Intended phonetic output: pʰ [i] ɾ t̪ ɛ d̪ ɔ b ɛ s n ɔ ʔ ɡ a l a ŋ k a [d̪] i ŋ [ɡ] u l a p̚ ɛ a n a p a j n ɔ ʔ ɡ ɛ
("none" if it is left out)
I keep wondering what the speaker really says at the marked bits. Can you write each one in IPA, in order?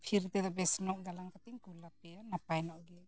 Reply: i, t̪, k

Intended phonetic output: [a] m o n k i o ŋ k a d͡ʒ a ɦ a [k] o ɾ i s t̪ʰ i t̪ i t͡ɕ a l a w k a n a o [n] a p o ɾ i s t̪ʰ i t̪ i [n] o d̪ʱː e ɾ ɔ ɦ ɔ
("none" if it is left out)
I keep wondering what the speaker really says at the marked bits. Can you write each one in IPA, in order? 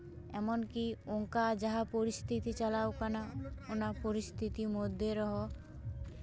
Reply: ɛ, p, n, m

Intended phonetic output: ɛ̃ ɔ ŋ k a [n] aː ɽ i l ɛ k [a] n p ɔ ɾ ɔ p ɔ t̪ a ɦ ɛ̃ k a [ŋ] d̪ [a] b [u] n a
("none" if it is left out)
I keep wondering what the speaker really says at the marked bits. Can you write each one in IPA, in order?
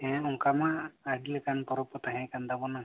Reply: m, a, n, a, ɔ

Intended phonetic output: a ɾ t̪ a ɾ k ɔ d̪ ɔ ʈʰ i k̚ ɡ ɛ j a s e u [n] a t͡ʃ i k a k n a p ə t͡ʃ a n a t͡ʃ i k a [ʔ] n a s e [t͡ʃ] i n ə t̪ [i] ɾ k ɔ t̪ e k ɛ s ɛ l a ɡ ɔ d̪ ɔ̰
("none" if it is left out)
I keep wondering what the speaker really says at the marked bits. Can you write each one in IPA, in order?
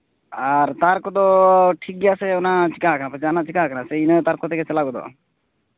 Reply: n, k, none, a

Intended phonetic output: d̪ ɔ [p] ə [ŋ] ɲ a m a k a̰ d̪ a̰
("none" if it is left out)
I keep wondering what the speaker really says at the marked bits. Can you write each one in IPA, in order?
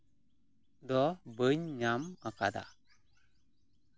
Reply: b, ɲ

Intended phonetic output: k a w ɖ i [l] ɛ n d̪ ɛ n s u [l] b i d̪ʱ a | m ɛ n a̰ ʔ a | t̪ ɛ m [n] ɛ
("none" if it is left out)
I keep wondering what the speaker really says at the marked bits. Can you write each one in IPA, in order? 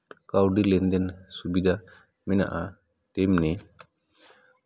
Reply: l, none, n

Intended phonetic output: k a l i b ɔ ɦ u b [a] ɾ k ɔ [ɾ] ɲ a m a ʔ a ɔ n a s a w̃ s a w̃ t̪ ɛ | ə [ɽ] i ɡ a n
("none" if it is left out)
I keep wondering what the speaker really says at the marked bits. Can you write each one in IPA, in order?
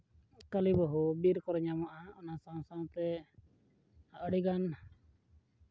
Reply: i, ɾ, ɽ

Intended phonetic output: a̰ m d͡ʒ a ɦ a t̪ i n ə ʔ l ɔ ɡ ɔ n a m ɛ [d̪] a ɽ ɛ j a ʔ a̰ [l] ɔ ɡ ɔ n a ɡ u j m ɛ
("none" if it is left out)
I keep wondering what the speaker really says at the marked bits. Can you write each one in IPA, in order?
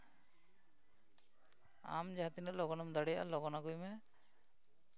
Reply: d̪, l

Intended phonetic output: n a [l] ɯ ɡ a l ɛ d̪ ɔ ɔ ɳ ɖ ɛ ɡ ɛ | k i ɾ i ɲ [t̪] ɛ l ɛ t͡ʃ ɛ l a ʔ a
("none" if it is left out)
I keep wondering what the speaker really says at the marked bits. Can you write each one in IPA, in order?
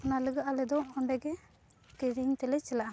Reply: l, t̪

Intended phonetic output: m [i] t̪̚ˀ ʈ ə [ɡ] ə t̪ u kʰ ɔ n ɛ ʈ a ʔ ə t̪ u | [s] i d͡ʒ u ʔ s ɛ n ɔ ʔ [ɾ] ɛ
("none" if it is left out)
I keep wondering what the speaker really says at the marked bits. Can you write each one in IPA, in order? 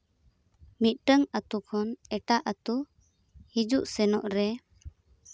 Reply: i, ŋ, h, ɾ

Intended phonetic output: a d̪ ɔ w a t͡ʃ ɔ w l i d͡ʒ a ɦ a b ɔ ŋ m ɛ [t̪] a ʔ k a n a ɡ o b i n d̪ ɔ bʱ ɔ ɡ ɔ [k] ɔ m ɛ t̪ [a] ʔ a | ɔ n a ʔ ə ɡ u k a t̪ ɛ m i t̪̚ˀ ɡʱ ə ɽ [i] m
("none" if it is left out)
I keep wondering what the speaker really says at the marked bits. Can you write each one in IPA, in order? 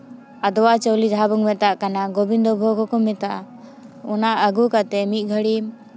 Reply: t̪, k, a, i

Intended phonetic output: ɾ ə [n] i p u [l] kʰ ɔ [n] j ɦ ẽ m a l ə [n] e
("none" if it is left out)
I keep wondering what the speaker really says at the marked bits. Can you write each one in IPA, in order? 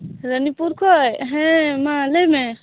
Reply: n, ɾ, none, m

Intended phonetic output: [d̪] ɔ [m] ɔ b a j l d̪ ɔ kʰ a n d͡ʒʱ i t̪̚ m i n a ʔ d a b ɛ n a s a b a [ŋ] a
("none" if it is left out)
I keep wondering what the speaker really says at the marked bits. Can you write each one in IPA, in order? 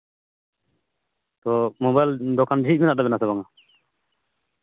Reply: t̪, m, ŋ

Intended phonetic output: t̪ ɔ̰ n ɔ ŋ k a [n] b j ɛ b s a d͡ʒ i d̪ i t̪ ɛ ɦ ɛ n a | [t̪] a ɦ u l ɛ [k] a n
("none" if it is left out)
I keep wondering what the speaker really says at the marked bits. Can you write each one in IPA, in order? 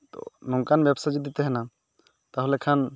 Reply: n, t̪, kʰ

